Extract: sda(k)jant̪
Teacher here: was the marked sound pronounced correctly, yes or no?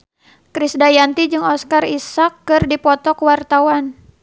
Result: no